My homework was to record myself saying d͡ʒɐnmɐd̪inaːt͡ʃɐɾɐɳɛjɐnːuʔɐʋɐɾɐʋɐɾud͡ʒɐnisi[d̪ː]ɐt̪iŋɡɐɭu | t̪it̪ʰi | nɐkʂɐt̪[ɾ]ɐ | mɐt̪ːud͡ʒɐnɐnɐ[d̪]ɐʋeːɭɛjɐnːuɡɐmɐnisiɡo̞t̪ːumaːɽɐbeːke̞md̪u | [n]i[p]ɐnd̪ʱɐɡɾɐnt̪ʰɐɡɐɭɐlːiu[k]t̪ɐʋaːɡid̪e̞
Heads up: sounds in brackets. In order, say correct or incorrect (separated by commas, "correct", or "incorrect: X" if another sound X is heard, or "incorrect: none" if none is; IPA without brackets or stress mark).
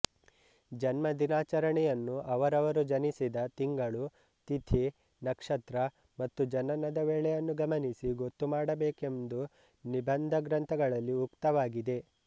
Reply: incorrect: d̪, correct, correct, correct, incorrect: b, correct